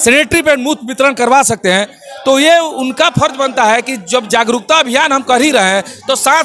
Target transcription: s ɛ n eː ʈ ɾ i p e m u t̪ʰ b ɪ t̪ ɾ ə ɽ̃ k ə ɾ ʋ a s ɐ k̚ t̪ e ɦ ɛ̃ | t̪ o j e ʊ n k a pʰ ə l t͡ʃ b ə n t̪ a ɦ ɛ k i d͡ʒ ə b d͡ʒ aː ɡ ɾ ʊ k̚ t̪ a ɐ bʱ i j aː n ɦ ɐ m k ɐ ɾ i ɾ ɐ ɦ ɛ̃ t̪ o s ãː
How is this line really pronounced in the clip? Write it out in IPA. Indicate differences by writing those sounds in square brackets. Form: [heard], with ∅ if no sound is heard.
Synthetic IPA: s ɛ n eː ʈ ɾ i p e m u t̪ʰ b ɪ t̪ ɾ ə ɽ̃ k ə ɾ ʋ a s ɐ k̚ t̪ e ɦ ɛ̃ | t̪ o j e ʊ n k a pʰ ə [ɾ] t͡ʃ b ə n t̪ a ɦ ɛ k i d͡ʒ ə b d͡ʒ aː ɡ ɾ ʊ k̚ t̪ a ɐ bʱ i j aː n ɦ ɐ m k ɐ ɾ i ɾ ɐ ɦ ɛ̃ t̪ o s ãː